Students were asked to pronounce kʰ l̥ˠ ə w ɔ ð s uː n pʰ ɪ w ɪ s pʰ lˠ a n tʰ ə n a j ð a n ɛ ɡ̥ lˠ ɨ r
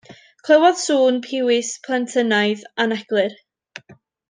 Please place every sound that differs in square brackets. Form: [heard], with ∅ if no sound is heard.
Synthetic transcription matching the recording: kʰ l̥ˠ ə w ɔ ð s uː n pʰ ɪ w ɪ s pʰ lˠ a n tʰ ə n a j ð a n ɛ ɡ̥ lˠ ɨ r

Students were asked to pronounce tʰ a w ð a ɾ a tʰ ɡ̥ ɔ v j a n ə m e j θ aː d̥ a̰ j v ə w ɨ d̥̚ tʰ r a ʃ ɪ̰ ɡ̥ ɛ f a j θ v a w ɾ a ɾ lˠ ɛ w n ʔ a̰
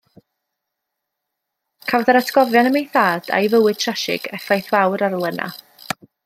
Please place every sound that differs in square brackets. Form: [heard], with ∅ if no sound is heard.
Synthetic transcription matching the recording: [kʰ] a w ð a ɾ a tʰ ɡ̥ ɔ v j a n ə m e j θ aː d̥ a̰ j v ə w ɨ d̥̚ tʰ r a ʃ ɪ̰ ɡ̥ ɛ f a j θ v a w ɾ a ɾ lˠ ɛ [∅] n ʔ a̰

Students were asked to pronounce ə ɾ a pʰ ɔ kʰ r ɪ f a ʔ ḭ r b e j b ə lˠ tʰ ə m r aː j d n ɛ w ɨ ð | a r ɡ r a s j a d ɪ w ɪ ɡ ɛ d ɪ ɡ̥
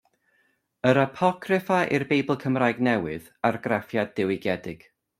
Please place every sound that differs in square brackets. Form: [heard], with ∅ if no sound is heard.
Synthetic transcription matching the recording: ə ɾ a pʰ ɔ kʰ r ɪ f a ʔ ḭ r b e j b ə lˠ [kʰ] ə m r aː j [ɡ] n ɛ w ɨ ð | a r ɡ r a [f] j a d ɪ w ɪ ɡ ɛ d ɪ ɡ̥

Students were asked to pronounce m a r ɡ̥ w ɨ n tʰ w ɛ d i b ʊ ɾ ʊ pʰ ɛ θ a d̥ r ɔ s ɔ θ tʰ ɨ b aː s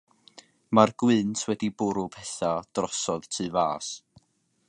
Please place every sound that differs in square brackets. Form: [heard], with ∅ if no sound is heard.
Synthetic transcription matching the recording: m a r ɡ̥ w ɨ n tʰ w ɛ d i b ʊ ɾ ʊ pʰ ɛ θ a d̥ r ɔ s ɔ [ð] tʰ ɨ [v] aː s

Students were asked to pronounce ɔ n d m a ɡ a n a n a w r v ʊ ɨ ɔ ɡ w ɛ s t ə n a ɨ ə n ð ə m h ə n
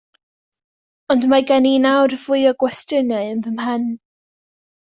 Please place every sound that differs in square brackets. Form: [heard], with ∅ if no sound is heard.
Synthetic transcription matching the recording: ɔ n d m a ɡ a n [i] n a w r v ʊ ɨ ɔ ɡ w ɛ s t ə n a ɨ ə n ð ə m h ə n

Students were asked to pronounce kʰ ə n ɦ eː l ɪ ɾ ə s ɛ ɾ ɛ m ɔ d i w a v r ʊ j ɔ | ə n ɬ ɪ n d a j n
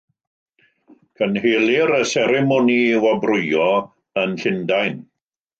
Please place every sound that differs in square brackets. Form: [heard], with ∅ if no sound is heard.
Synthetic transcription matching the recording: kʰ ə n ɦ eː l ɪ ɾ ə s ɛ ɾ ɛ m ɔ [n] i w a [b] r ʊ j ɔ | ə n ɬ ɪ n d a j n

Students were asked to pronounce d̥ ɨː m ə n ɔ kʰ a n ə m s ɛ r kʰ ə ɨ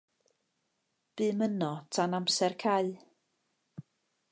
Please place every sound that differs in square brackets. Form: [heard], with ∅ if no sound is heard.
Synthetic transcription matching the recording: [b̥] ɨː m ə n ɔ [tʰ] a n [a] m s ɛ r kʰ [a] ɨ

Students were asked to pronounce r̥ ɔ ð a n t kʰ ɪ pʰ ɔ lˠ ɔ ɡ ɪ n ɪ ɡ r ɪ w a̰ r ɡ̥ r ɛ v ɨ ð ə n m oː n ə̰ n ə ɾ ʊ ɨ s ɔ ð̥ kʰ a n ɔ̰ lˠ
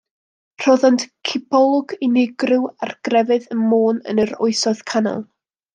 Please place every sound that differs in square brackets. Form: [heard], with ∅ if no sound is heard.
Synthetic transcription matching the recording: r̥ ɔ ð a n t kʰ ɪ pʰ ɔ lˠ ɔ ɡ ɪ n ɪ ɡ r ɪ w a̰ r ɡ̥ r ɛ v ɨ ð ə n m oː n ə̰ n ə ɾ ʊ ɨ s ɔ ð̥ kʰ a n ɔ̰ lˠ

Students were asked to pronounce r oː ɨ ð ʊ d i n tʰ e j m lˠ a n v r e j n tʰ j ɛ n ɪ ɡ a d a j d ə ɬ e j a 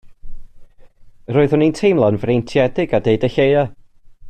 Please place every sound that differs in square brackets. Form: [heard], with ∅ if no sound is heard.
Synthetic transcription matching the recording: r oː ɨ ð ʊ [n] i n tʰ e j m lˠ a n v r e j n tʰ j ɛ [d] ɪ ɡ a d [e] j d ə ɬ e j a

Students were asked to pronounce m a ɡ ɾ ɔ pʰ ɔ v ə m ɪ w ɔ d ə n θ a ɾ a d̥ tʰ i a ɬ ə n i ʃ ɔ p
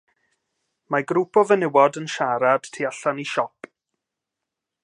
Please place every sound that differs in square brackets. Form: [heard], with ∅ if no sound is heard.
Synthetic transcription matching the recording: m a ɡ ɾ [u] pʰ ɔ v ə [n] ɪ w ɔ d ə n [ʃ] a ɾ a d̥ tʰ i a ɬ [a] n i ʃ ɔ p

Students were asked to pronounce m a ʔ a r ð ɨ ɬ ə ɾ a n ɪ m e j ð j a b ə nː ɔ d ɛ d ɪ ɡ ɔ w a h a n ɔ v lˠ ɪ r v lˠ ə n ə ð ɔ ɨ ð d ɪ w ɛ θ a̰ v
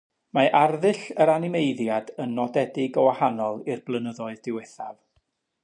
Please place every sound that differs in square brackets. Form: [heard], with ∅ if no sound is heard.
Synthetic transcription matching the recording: m a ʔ a r ð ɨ ɬ ə ɾ a n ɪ m e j ð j a [d] ə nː ɔ d ɛ d ɪ ɡ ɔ w a h a n ɔ [∅] lˠ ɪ r [b] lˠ ə n ə ð ɔ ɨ ð d ɪ w ɛ θ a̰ v

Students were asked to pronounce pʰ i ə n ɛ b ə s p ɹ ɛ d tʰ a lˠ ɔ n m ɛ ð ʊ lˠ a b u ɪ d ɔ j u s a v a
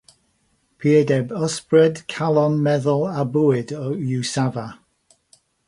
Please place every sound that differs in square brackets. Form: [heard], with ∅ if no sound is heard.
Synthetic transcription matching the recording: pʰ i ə [d] ɛ b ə s p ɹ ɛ d [kʰ] a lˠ ɔ n m ɛ ð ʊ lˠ a b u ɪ d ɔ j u s a v a

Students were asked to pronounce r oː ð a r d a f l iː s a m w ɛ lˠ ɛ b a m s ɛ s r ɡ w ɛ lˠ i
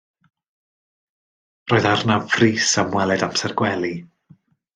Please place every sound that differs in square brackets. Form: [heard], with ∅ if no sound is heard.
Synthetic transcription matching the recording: r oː ð a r [n] a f [r] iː s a m w ɛ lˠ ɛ [d] a m s ɛ [∅] r ɡ w ɛ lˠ i

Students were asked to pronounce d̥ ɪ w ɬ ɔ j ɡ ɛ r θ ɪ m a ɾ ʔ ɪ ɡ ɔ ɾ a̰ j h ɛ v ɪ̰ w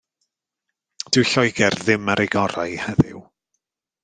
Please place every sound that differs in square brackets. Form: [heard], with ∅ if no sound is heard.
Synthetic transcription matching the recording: d̥ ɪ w ɬ ɔ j ɡ ɛ r [ð] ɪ m a ɾ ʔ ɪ ɡ ɔ ɾ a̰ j h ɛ [ð] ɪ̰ w

